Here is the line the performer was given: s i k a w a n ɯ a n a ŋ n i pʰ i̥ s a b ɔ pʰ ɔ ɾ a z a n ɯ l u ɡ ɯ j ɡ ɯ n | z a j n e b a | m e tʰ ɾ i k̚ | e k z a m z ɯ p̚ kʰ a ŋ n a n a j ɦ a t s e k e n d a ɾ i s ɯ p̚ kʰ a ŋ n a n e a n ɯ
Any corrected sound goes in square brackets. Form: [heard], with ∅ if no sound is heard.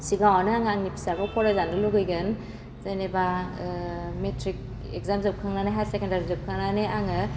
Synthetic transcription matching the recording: s i [ɡ] a w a n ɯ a [ŋ] a ŋ n i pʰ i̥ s a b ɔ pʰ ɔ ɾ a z a n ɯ l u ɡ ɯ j ɡ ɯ n | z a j n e b a | m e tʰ ɾ i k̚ | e k z a m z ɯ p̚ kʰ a ŋ n a n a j ɦ a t s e k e n d a ɾ i [z] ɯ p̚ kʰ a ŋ n a n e a [ŋ] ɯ

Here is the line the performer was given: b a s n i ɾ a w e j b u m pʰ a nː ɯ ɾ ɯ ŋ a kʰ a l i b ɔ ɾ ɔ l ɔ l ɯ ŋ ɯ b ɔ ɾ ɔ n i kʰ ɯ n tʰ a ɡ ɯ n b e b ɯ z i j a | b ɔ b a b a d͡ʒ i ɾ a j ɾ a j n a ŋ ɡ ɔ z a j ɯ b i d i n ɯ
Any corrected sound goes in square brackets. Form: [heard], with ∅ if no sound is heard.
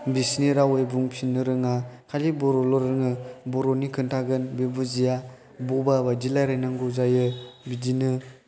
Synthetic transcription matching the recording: b [i] s n i ɾ a w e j b u [ŋ] pʰ [i] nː ɯ ɾ ɯ ŋ a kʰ a l i b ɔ ɾ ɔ l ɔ [ɾ] ɯ ŋ ɯ b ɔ ɾ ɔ n i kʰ ɯ n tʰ a ɡ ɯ n b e b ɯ z i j a | b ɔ b a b a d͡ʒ i [l] a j ɾ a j n a ŋ ɡ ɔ z a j ɯ b i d i n ɯ

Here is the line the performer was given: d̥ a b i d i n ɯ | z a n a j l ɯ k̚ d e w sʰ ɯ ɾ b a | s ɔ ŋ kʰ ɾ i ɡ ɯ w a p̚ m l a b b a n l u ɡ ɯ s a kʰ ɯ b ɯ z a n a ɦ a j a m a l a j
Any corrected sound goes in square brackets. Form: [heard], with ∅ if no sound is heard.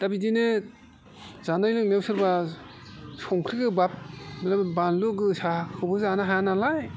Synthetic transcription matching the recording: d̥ a b i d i n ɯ | z a n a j l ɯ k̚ [n] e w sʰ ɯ ɾ b a | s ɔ ŋ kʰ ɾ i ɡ ɯ [b] a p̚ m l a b b a n l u ɡ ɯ s a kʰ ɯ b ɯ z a n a ɦ a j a [n] a l a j

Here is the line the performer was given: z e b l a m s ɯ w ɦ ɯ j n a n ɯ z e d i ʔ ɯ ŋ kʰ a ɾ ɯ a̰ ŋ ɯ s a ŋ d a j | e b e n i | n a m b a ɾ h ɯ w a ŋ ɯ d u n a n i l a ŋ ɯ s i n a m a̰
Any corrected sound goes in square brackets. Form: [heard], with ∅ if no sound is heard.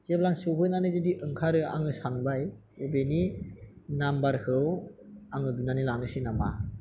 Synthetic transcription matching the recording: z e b l a [ŋ] s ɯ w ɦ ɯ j n a n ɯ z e d i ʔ ɯ ŋ kʰ a ɾ ɯ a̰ ŋ ɯ s a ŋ [b] a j | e b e n i | n a m b a ɾ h ɯ w a ŋ ɯ d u n a n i l a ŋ ɯ s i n a m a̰

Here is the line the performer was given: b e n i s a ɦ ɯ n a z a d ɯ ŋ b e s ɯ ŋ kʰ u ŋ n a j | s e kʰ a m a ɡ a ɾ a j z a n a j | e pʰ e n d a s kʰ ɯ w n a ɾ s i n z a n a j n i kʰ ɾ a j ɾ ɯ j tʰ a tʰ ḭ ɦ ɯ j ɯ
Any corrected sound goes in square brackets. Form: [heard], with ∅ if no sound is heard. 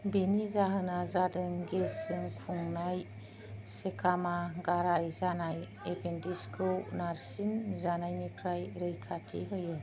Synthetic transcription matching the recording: b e n i [z] a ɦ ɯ n a z a d ɯ ŋ [ɡ] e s ɯ ŋ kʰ u ŋ n a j | s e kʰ a m a ɡ a ɾ a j z a n a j | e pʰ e n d [i] s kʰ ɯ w n a ɾ s i n z a n a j n i [pʰ] ɾ a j ɾ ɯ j [kʰ] a tʰ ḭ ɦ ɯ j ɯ

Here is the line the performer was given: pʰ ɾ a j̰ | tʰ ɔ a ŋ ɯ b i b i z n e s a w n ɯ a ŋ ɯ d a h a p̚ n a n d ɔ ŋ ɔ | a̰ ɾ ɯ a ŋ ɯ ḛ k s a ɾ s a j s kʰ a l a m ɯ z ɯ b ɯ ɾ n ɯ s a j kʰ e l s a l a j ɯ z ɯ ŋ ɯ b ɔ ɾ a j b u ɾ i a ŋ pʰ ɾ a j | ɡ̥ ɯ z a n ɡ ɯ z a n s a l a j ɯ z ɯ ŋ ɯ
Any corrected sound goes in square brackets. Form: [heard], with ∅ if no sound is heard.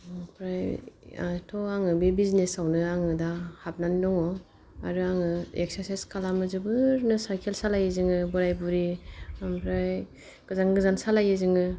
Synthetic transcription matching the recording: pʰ ɾ a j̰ | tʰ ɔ a ŋ ɯ b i b i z n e s a w n ɯ a ŋ ɯ d a h a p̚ n a n d ɔ ŋ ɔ | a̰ ɾ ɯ a ŋ ɯ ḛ k s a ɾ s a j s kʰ a l a m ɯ z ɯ b ɯ ɾ n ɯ s a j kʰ e l s a l a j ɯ z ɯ ŋ ɯ b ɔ ɾ a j b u ɾ i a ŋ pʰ ɾ a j | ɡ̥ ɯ z a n ɡ ɯ z a n s a l a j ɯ z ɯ ŋ ɯ

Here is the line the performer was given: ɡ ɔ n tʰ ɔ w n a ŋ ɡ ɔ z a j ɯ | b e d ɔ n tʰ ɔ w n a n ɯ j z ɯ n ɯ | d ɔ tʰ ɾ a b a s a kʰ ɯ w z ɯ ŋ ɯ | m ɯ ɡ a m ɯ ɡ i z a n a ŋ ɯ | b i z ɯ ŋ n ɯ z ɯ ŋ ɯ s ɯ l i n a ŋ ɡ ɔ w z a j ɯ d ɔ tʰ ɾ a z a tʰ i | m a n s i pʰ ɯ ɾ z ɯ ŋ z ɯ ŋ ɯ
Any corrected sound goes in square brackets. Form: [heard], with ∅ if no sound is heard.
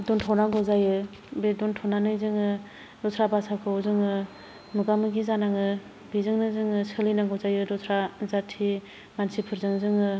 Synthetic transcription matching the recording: [d] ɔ n tʰ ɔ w n a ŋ ɡ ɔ z a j ɯ | b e d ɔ n tʰ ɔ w n a n ɯ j z ɯ [ŋ] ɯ | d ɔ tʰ ɾ a b a s a kʰ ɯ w z ɯ ŋ ɯ | m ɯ ɡ a m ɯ ɡ i z a n a ŋ ɯ | b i z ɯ ŋ n ɯ z ɯ ŋ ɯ s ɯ l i n a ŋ ɡ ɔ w z a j ɯ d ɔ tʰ ɾ a z a tʰ i | m a n s i pʰ ɯ ɾ z ɯ ŋ z ɯ ŋ ɯ

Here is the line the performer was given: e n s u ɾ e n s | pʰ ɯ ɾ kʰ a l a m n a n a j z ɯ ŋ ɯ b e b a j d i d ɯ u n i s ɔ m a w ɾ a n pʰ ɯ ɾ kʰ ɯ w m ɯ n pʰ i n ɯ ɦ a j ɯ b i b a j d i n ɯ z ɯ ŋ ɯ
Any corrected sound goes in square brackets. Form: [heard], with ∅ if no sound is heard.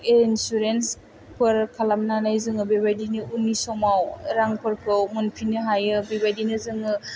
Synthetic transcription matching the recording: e n s u ɾ e n s | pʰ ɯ ɾ kʰ a l a m n a n a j z ɯ ŋ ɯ b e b a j d i [n] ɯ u n i s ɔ m a w ɾ a [ŋ] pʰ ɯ ɾ kʰ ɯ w m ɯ n pʰ i n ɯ ɦ a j ɯ b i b a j d i n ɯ z ɯ ŋ ɯ

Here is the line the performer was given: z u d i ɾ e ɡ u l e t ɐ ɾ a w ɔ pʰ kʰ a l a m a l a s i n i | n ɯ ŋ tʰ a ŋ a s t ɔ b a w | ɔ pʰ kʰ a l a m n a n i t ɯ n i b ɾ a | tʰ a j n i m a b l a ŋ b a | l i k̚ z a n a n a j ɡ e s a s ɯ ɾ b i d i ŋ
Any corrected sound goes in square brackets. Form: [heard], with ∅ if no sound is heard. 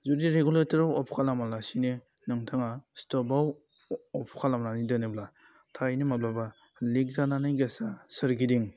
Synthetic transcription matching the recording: z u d i ɾ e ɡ u l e t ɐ ɾ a w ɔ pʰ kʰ a l a m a l a s i n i | n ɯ ŋ tʰ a ŋ a s t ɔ b a w | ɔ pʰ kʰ a l a m n a n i [d] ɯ n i b [l] a | tʰ a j n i m a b l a [∅] b a | l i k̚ z a n a n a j ɡ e s a s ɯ ɾ [ɡ] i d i ŋ

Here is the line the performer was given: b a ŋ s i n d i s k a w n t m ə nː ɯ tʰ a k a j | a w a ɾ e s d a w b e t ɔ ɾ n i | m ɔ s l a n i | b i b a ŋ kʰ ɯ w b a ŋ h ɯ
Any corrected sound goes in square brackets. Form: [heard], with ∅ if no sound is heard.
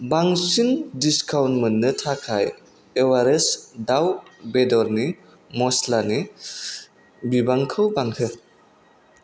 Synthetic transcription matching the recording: b a ŋ s i n d i s k a w n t m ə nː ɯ tʰ a [kʰ] a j | [e] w a ɾ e s d a w b e [d] ɔ ɾ n i | m ɔ s l a n i | b i b a ŋ kʰ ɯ w b a ŋ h ɯ

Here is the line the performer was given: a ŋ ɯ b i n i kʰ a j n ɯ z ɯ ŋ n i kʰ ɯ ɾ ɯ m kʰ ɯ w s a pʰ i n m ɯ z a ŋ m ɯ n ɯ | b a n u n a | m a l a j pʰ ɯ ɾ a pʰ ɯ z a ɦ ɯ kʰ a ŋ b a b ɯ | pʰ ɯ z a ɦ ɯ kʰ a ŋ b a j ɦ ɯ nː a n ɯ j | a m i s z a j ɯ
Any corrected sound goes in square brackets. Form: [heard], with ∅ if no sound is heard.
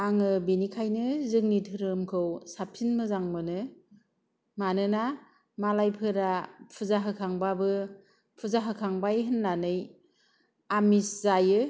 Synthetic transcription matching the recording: a ŋ ɯ b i n i kʰ a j n ɯ z ɯ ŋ n i [tʰ] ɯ ɾ ɯ m kʰ ɯ w s a pʰ i n m ɯ z a ŋ m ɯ n ɯ | [m] a n [ɯ] n a | m a l a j pʰ ɯ ɾ a pʰ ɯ z a ɦ ɯ kʰ a ŋ b a b ɯ | pʰ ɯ z a ɦ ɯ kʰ a ŋ b a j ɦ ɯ nː a n ɯ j | a m i s z a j ɯ

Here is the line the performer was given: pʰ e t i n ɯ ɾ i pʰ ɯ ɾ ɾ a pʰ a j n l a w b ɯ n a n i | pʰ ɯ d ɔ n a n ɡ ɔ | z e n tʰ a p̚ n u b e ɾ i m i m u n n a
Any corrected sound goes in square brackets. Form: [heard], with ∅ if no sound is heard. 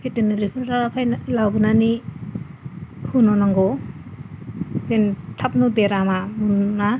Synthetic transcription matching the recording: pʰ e t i n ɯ ɾ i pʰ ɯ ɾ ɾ a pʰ a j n l a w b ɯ n a n i | [kʰ] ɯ [n] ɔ n a [ŋ] ɡ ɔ | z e n tʰ a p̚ n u b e ɾ [a] m [a] m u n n a

